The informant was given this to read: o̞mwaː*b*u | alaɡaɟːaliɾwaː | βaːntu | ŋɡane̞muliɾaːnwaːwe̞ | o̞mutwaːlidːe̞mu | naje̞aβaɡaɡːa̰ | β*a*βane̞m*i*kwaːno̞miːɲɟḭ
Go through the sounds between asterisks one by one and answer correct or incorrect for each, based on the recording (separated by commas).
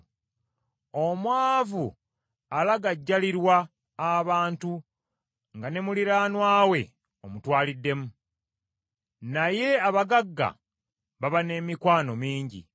incorrect, correct, correct